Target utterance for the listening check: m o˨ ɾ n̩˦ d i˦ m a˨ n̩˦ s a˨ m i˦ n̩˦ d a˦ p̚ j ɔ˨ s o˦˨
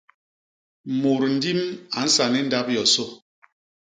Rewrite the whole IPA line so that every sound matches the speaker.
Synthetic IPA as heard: m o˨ ɾ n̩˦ d i˦ m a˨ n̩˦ s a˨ n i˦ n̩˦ d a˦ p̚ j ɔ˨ s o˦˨